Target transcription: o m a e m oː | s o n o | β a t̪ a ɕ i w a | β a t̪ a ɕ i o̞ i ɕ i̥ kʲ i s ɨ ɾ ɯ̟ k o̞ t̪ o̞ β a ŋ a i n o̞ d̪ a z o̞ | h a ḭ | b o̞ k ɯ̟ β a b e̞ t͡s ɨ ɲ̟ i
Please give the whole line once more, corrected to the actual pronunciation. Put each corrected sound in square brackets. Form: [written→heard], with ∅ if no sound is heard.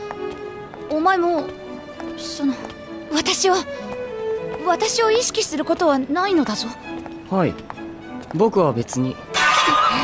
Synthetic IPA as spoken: o m a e m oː | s o n o | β a t̪ a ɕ i [w→β] a | β a t̪ a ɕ i o̞ i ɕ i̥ kʲ i s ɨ ɾ ɯ̟ k o̞ t̪ o̞ β a [ŋ→n] a i n o̞ d̪ a z o̞ | h a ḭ | b o̞ k ɯ̟ β a b e̞ t͡s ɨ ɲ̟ i